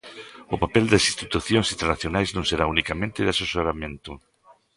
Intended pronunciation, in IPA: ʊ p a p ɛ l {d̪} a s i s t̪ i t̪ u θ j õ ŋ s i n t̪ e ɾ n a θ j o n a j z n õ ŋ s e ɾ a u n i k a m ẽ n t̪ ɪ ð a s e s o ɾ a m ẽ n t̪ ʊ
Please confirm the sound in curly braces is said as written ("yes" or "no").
yes